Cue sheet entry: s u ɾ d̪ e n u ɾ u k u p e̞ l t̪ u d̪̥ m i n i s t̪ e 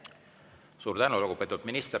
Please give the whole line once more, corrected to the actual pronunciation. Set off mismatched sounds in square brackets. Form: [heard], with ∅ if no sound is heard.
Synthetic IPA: s [uː] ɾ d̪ [æ] n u [l] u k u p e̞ [∅] t̪ u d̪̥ m i n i s t̪ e